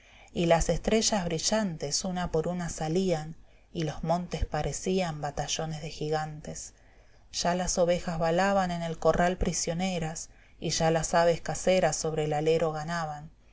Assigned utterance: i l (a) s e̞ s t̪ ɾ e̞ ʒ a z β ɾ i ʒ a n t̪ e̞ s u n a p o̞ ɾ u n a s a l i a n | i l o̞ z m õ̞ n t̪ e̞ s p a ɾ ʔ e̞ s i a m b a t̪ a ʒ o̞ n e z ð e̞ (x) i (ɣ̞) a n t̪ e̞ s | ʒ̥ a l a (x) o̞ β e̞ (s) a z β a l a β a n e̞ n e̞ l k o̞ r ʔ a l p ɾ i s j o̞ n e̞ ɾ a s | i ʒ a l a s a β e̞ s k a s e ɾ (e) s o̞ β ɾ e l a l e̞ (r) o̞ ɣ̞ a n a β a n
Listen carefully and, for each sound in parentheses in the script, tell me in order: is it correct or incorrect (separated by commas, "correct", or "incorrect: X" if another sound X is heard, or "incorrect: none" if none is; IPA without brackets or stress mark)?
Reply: correct, correct, correct, incorrect: s, incorrect: x, incorrect: a, incorrect: ɾ